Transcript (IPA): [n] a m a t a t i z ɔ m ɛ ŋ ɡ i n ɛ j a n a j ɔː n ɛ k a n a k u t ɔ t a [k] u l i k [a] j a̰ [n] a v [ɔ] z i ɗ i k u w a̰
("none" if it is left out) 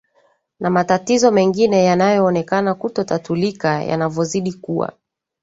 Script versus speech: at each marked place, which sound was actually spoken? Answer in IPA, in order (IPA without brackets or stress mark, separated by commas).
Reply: n, t, a, n, ɔ